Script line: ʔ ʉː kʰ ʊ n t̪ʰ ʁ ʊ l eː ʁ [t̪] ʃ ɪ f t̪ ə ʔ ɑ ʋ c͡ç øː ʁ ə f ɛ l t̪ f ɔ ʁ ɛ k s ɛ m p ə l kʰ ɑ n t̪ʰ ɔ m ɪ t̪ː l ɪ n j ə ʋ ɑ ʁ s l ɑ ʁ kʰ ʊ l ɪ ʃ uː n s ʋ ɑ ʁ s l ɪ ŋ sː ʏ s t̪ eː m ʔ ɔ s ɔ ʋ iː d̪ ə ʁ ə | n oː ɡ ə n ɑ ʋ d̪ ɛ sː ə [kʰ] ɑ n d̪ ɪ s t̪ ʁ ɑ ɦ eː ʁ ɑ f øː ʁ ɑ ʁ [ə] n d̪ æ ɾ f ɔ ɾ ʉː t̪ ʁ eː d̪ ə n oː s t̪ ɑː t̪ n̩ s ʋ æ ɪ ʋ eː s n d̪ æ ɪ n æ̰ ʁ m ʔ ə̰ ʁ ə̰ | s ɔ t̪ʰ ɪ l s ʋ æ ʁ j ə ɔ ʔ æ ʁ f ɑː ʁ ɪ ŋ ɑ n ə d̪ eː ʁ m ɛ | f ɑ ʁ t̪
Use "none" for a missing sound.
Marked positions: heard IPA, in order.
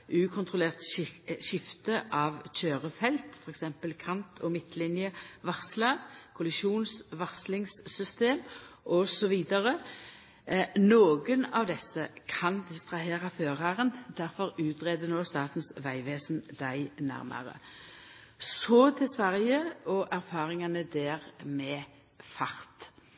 t̪, kʰ, ə

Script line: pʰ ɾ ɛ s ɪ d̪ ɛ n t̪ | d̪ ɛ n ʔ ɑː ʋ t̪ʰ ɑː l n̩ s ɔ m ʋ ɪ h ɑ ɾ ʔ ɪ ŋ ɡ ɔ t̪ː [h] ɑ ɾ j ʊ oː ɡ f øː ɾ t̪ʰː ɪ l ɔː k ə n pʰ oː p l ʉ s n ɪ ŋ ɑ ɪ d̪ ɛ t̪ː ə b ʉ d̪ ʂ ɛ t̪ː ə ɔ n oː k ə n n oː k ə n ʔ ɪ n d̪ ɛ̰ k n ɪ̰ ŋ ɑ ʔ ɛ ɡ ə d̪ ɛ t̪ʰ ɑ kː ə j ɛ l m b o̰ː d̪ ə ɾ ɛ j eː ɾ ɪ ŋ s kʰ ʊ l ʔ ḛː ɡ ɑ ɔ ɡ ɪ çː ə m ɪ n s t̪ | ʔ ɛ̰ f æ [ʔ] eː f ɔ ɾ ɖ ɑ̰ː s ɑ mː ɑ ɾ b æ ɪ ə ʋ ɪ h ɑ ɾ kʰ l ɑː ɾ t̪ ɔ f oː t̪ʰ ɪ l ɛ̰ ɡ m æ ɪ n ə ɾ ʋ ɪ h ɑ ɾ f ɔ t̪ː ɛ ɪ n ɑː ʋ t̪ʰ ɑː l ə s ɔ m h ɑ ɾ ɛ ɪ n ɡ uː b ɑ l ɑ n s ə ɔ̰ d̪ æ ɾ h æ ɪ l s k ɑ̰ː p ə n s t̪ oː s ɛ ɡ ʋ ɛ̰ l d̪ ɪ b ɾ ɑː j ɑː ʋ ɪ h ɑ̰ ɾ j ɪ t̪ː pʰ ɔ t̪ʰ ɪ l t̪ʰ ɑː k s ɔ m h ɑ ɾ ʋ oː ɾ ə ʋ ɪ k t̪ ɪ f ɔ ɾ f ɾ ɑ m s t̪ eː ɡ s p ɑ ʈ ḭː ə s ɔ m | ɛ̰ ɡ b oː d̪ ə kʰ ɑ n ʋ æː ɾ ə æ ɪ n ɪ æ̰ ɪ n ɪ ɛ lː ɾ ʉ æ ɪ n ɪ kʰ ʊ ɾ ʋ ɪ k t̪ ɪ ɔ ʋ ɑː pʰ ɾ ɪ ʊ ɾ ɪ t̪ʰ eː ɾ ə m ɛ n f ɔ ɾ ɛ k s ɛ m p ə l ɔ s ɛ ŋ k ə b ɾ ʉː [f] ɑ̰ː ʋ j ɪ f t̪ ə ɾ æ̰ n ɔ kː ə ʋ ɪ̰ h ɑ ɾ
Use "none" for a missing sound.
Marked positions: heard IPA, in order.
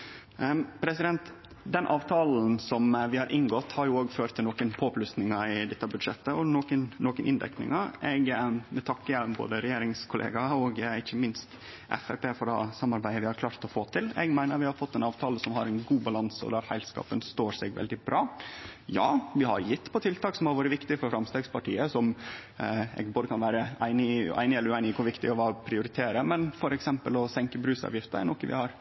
h, p, s

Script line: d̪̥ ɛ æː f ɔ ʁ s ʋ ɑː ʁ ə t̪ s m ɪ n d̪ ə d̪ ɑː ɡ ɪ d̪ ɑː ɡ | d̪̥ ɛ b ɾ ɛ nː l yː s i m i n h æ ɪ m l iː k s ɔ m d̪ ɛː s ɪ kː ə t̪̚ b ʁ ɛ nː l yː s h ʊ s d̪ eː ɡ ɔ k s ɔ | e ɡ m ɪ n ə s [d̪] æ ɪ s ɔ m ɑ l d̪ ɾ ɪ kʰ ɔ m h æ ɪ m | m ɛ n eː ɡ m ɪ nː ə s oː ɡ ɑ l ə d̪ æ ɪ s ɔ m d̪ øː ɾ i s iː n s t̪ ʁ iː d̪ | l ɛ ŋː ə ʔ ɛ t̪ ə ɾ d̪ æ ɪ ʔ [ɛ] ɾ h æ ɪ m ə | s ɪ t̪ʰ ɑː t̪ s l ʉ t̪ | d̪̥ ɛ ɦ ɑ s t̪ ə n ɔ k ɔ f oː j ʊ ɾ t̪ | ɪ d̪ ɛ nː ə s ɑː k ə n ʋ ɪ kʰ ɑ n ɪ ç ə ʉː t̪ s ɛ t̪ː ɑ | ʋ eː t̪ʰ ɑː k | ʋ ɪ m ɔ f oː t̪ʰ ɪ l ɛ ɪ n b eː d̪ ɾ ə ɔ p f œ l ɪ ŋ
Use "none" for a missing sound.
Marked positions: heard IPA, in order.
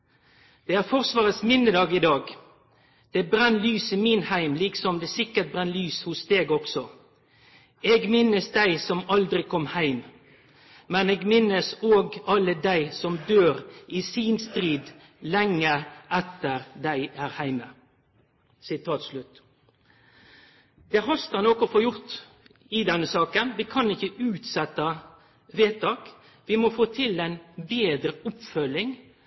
d̪, æ

